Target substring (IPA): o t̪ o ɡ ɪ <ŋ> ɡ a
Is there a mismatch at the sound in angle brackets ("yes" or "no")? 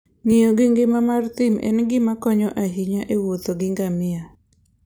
no